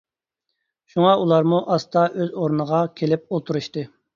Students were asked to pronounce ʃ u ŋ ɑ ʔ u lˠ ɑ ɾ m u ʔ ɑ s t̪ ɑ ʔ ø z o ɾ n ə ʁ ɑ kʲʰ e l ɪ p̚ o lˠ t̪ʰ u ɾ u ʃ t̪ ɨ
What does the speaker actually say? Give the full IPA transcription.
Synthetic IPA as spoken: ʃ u ŋ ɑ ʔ u lˠ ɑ ɾ m u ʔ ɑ s t̪ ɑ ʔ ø z o ɾ n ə ʁ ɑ kʲʰ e l ɪ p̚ o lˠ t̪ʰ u ɾ u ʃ t̪ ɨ